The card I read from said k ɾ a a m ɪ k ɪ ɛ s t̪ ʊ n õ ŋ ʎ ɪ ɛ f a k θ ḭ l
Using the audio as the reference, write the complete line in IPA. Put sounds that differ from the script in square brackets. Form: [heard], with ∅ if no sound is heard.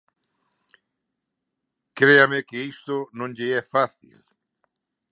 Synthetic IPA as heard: k ɾ [e] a m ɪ k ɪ [i] s t̪ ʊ n õ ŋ ʎ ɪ ɛ f a [∅] θ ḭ l